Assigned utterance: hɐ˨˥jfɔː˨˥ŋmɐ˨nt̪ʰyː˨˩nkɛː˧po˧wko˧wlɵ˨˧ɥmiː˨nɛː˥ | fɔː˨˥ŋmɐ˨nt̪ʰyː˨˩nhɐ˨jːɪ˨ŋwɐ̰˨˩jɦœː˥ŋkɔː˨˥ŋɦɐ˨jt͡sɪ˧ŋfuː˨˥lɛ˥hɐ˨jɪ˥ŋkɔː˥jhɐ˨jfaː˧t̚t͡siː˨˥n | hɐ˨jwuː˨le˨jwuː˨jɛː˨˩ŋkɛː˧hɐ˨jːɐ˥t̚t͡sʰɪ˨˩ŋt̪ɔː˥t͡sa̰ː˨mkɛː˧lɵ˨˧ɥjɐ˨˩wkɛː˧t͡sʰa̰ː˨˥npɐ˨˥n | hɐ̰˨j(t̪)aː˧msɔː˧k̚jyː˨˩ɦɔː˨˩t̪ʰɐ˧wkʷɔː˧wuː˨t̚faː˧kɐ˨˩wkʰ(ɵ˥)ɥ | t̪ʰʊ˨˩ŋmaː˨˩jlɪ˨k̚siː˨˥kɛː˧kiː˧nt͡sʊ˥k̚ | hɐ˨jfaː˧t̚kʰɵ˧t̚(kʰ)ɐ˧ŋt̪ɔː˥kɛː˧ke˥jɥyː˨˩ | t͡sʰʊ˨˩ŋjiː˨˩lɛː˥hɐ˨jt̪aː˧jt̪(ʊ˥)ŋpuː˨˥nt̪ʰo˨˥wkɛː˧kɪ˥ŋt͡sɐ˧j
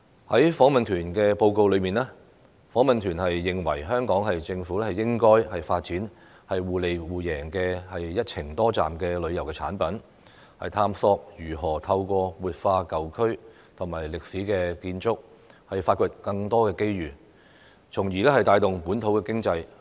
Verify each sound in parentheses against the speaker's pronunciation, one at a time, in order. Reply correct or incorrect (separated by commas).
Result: incorrect, correct, incorrect, incorrect